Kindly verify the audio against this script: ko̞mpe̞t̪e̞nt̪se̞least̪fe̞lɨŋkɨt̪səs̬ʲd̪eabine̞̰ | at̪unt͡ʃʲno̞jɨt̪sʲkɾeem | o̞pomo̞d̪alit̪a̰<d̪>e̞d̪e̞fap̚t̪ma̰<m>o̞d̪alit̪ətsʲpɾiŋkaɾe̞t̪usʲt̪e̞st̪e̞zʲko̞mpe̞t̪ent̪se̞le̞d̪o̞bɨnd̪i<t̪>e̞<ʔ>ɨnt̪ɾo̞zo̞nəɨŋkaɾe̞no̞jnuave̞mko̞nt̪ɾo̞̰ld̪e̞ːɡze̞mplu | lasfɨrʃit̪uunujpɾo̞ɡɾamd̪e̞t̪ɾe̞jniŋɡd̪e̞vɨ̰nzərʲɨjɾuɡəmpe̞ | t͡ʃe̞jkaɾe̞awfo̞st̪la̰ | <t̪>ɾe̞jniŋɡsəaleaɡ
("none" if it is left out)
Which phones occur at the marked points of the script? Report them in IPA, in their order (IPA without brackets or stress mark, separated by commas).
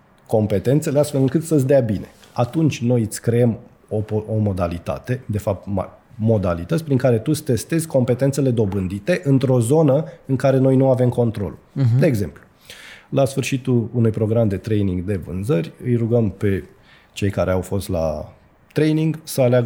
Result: t̪, m, t̪, ʔ, t̪